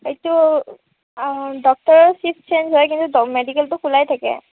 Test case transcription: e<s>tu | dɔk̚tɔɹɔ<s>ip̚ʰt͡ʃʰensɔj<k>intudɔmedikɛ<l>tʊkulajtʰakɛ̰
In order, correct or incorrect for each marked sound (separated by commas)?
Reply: incorrect, correct, correct, correct